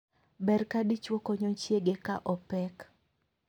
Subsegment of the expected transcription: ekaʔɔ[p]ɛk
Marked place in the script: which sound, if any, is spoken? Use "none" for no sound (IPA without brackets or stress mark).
p